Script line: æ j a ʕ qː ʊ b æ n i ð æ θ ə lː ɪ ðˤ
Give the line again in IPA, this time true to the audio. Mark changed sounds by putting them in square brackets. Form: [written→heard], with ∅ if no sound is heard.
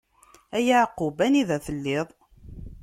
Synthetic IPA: æ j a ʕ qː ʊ b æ n i ð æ θ ə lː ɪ ðˤ